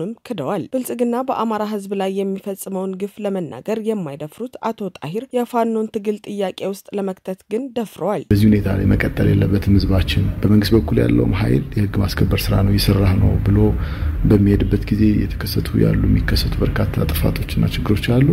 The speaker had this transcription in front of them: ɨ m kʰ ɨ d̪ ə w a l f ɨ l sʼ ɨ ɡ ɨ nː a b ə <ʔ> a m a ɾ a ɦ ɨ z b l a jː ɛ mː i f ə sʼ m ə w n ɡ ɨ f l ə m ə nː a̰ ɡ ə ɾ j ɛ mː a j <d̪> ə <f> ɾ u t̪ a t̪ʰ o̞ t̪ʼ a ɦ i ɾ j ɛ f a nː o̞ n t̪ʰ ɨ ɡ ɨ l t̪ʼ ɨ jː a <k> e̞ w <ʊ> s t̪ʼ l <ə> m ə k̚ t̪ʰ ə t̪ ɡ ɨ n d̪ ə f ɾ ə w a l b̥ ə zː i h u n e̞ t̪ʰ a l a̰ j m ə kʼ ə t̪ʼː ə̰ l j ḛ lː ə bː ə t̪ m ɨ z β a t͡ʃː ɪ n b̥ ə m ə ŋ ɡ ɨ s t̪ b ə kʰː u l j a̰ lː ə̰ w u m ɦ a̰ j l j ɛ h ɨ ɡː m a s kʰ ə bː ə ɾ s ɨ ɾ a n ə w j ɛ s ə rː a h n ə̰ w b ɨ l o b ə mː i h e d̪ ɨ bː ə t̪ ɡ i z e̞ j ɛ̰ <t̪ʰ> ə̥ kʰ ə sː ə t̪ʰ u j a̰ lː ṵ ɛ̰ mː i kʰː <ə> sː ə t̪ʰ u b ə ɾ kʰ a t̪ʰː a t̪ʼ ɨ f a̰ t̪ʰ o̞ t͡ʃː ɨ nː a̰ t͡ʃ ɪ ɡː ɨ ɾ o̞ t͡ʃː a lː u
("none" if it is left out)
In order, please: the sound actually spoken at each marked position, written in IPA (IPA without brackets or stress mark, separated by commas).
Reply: ʔ, d̪, f, kʼ, ʊ, ə, t̪ʰ, ə